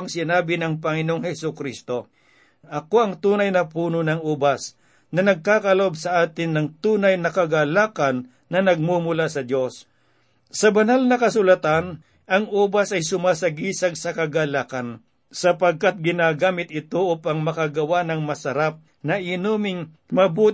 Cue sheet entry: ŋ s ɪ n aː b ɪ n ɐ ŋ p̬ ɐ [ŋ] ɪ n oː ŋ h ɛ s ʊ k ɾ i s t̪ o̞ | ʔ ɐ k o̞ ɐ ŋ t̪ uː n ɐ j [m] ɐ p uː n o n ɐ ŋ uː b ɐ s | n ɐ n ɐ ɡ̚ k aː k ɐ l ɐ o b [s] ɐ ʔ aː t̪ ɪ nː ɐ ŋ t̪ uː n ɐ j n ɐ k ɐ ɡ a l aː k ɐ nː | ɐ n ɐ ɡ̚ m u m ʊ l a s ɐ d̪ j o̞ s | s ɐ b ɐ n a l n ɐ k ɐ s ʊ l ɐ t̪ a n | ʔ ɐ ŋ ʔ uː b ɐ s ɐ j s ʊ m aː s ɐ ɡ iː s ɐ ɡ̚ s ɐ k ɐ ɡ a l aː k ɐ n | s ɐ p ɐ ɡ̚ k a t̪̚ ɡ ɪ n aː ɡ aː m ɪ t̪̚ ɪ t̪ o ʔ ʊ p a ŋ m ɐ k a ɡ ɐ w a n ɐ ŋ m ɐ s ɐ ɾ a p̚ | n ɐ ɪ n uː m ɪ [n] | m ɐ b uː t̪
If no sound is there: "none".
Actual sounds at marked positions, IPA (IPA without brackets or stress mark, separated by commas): ŋ, n, s, ŋ